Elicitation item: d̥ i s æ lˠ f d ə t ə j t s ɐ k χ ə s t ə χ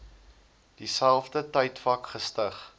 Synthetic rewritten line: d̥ i s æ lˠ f d ə t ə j t f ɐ k χ ə s t ə χ